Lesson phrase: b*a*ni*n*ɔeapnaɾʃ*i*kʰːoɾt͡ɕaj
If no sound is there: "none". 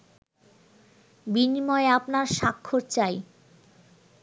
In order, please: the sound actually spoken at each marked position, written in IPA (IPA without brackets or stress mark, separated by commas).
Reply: i, m, a